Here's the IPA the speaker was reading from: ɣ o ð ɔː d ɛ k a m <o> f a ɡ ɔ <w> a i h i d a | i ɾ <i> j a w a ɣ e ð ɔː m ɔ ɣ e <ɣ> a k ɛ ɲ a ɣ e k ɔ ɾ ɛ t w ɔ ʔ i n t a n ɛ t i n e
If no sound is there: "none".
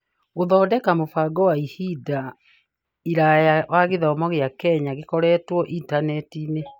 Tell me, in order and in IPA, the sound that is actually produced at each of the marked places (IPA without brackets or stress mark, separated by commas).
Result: o, w, a, none